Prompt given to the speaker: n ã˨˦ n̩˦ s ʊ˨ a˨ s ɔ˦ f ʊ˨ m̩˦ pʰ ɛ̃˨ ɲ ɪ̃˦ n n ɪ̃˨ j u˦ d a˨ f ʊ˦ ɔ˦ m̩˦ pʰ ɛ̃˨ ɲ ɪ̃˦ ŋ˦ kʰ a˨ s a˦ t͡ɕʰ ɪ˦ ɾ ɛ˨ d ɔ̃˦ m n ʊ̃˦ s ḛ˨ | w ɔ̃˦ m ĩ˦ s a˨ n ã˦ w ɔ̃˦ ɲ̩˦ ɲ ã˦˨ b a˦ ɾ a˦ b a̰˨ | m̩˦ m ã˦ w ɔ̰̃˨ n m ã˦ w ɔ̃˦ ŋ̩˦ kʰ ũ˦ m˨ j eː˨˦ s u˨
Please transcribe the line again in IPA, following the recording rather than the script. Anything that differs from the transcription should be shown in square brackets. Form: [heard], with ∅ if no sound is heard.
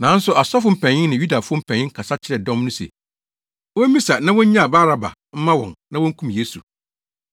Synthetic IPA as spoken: n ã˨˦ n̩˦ s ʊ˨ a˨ s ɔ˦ f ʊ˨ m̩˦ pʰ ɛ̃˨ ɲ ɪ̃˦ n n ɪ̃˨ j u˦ d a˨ f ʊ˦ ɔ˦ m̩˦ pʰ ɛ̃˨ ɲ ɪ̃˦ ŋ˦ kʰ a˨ s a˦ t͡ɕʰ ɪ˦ ɾ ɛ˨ d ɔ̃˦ m n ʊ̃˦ s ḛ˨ | w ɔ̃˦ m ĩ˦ s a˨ n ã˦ w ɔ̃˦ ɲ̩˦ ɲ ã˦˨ b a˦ ɾ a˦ b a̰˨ | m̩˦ m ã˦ w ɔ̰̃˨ n [n] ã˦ w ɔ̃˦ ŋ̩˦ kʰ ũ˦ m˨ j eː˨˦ s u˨